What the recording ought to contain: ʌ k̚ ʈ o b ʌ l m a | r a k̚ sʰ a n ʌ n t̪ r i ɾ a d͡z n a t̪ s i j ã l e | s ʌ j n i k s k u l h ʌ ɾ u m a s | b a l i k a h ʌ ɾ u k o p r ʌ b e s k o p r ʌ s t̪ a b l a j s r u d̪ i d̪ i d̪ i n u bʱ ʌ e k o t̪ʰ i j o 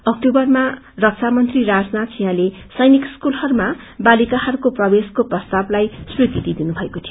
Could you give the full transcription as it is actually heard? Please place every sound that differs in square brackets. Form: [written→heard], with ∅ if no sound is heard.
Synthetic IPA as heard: ʌ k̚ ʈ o b ʌ [l→r] m a | r [a→ʌ] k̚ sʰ a [n→m] ʌ n t̪ r i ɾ a d͡z n a t̪ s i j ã l e | s ʌ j n i k s k u l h ʌ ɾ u m a [s→∅] | b a l i k a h ʌ ɾ u k o p r ʌ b e s k o p r ʌ s t̪ a b l a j s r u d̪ i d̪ i d̪ i n u bʱ ʌ e k o t̪ʰ i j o